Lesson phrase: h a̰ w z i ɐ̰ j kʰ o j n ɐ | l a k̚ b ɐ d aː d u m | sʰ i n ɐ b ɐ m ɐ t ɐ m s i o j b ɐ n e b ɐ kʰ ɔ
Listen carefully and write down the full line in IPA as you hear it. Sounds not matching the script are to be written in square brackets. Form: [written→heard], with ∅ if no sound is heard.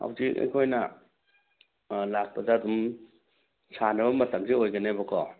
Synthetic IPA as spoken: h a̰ w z i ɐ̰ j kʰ o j n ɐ | l a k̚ [b→p] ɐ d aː d u m | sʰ [i→a] n ɐ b ɐ m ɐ t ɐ m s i o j [b→ɡ] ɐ n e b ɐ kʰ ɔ